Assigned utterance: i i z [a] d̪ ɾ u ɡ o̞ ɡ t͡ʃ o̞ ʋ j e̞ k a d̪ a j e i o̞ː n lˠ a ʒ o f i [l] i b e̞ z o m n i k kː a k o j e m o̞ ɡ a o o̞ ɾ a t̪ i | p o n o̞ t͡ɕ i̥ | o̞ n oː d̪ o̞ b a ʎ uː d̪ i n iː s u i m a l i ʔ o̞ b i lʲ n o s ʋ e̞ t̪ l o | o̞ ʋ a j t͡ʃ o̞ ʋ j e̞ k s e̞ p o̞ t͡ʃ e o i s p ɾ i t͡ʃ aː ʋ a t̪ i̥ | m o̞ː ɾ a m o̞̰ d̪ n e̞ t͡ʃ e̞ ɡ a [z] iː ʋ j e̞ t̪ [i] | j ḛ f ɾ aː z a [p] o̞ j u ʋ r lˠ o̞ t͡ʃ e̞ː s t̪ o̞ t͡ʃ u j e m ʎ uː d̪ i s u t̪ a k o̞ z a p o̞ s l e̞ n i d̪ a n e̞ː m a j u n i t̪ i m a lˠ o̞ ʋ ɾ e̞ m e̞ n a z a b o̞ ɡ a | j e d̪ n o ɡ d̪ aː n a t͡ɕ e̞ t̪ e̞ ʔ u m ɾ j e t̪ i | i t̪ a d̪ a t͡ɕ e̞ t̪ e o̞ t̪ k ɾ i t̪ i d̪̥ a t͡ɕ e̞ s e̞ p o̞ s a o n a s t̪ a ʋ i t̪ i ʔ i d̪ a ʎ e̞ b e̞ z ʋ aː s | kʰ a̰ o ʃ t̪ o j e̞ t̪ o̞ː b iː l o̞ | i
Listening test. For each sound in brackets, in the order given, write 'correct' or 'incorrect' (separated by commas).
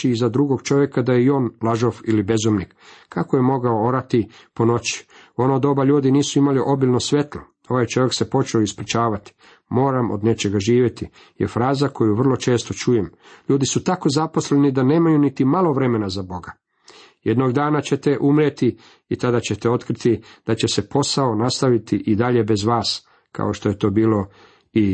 correct, correct, incorrect, correct, incorrect